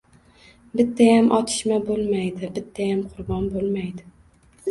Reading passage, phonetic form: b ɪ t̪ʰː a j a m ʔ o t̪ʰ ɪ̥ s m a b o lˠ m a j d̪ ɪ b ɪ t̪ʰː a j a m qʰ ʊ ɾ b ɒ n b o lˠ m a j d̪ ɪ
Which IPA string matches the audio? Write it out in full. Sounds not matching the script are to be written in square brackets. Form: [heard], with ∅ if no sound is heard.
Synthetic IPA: b ɪ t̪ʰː a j a m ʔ [ɒ] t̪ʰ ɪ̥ [ʃ] m a b o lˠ m a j d̪ ɪ b ɪ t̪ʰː a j a m qʰ ʊ ɾ b ɒ n b o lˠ m a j d̪ ɪ

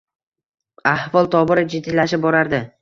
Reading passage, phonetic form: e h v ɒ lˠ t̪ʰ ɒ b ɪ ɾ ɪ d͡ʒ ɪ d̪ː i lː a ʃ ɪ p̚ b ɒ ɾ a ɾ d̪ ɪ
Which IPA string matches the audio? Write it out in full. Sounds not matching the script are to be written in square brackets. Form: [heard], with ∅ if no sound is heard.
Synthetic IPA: [a] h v ɒ lˠ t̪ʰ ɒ b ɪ ɾ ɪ d͡ʒ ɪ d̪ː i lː a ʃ ɪ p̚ b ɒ ɾ a ɾ d̪ ɪ

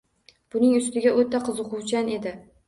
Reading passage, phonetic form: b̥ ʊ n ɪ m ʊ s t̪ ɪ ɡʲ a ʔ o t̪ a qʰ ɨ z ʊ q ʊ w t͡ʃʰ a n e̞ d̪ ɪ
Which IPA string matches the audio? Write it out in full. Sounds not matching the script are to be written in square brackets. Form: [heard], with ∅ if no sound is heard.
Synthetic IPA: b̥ ʊ n ɪ [ŋ] ʊ s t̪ ɪ ɡʲ a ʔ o t̪ a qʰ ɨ z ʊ q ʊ w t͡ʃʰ a n e̞ d̪ ɪ

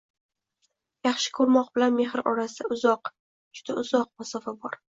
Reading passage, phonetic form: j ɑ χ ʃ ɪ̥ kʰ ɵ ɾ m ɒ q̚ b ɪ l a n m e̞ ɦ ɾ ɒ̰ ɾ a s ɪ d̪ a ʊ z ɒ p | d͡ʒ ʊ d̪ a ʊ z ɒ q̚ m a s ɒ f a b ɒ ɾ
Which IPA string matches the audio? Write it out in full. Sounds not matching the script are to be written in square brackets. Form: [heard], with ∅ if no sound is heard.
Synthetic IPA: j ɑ χ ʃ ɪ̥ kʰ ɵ ɾ m ɒ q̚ b ɪ l a n m e̞ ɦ ɾ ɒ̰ ɾ a s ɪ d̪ a ʊ z ɒ [q] | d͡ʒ ʊ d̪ a ʊ z ɒ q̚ m a s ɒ f a b ɒ ɾ

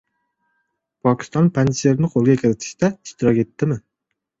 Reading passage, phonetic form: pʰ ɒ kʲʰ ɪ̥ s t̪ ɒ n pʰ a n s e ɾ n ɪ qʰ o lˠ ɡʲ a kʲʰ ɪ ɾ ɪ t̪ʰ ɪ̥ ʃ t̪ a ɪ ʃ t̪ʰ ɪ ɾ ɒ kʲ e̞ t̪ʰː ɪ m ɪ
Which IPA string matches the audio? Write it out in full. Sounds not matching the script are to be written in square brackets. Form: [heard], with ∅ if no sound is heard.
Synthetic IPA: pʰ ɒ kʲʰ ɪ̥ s t̪ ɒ n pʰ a n s e ɾ n ɪ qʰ o lˠ ɡʲ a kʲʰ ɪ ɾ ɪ t̪ʰ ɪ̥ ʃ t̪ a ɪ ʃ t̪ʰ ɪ ɾ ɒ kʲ e̞ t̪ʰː ɪ m ɪ

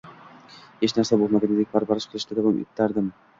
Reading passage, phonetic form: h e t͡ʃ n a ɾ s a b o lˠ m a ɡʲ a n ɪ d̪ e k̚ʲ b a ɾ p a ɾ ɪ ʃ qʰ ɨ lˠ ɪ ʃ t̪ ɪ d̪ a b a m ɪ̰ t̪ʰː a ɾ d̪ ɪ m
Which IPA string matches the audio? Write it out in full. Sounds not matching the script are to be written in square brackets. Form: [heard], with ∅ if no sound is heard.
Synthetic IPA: h e t͡ʃ n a ɾ s a b o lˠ m a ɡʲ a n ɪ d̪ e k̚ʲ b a ɾ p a ɾ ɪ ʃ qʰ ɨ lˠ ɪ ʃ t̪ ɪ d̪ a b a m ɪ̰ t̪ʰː a ɾ d̪ ɪ m

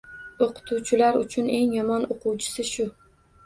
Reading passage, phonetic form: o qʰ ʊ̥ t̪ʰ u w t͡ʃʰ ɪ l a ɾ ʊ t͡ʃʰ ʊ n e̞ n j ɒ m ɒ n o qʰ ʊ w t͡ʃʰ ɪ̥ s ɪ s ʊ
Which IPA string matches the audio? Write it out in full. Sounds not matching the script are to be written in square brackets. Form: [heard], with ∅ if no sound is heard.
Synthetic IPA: o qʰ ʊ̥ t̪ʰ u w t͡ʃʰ ɪ l a ɾ ʊ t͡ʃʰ ʊ n e̞ [ŋ] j ɒ m ɒ n o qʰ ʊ w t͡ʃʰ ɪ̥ s ɪ [ʃ] ʊ

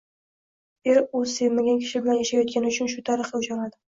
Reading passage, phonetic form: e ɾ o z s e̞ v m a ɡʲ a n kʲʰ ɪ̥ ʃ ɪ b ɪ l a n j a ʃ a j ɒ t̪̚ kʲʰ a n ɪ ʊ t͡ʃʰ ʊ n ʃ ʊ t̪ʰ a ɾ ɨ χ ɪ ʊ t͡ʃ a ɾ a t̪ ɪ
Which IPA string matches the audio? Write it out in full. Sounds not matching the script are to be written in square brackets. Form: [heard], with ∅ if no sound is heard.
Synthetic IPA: e ɾ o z s e̞ v m a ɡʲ a n kʲʰ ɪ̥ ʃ ɪ b ɪ l a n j a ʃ a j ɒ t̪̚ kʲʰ a n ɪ ʊ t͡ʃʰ ʊ n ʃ ʊ t̪ʰ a ɾ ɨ χ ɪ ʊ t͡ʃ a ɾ a [d̪] ɪ

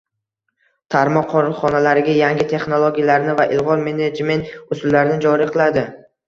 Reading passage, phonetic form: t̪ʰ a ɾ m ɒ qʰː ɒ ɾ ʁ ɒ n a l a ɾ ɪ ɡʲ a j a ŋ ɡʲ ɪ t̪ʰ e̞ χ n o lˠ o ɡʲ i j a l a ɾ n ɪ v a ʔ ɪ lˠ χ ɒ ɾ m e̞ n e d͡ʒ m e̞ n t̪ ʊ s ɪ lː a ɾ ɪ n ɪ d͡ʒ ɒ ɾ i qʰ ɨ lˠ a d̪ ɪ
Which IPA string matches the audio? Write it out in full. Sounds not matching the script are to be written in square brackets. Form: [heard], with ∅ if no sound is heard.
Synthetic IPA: t̪ʰ a ɾ m ɒ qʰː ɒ ɾ [χ] ɒ n a l a ɾ ɪ ɡʲ a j a ŋ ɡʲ ɪ t̪ʰ e̞ χ n o lˠ o ɡʲ i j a l a ɾ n ɪ v a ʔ ɪ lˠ [ʁ] ɒ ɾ m e̞ n e d͡ʒ m e̞ n t̪ ʊ s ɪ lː a ɾ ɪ n ɪ d͡ʒ ɒ ɾ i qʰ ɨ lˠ a d̪ ɪ

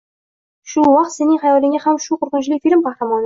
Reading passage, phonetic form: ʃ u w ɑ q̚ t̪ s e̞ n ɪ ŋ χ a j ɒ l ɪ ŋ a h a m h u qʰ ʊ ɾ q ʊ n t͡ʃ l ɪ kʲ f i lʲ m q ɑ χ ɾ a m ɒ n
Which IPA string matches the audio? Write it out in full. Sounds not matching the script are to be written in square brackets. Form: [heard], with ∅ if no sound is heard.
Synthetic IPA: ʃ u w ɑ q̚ t̪ s e̞ n ɪ ŋ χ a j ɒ l ɪ ŋ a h a m [ʃ] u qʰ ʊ ɾ q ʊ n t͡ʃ l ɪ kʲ f i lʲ m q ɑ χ ɾ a m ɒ n

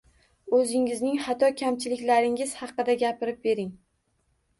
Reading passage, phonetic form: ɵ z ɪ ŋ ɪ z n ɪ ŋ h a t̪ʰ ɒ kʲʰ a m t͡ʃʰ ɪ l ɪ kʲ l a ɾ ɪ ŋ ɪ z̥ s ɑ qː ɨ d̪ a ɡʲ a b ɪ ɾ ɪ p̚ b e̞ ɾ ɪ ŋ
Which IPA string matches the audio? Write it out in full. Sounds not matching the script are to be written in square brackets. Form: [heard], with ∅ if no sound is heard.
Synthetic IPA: ɵ z ɪ ŋ ɪ z n ɪ ŋ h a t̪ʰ ɒ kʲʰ a m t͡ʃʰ ɪ l ɪ kʲ l a ɾ ɪ ŋ ɪ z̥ [h] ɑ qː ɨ d̪ a ɡʲ a [p] ɪ ɾ ɪ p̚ b e̞ ɾ ɪ ŋ

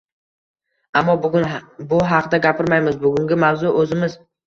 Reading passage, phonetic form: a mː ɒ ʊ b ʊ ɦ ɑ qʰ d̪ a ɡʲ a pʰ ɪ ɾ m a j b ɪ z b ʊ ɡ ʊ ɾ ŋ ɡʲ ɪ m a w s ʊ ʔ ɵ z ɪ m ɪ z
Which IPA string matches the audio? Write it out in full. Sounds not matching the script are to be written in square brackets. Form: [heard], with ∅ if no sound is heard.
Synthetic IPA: a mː ɒ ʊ b ʊ ɦ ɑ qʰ d̪ a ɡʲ a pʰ ɪ ɾ m a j [m] ɪ z b ʊ ɡ ʊ [∅] ŋ ɡʲ ɪ m a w [z] ʊ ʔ ɵ z ɪ m ɪ z

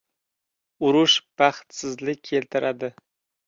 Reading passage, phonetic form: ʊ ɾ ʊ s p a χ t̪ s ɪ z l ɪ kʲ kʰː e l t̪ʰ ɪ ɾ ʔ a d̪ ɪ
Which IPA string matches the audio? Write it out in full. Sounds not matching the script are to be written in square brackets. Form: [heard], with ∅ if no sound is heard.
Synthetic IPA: ʊ ɾ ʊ [ʃ] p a χ t̪ s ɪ z l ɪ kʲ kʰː e l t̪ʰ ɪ ɾ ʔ a d̪ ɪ

